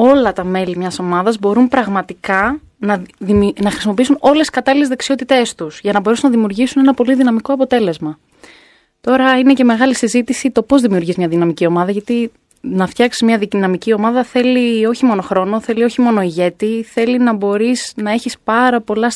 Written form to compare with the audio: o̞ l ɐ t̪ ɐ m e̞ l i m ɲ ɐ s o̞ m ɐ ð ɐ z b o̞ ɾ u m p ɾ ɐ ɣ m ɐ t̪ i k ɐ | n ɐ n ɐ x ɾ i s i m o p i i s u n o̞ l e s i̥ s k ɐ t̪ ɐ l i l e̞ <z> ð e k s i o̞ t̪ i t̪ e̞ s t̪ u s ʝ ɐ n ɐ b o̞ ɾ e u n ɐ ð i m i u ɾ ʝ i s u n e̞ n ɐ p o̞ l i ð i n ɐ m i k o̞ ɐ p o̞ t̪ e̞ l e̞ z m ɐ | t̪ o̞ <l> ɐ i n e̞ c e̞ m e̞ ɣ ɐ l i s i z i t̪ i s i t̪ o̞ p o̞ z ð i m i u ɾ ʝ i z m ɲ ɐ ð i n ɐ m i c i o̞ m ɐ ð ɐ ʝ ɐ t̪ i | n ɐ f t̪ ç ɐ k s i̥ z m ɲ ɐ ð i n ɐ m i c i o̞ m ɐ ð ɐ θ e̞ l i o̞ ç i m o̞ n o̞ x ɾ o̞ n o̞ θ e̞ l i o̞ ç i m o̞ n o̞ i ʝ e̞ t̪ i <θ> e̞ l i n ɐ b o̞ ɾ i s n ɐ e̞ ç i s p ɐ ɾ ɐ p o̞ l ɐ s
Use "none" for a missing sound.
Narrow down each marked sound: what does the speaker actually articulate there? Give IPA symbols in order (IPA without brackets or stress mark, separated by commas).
z, ɾ, θ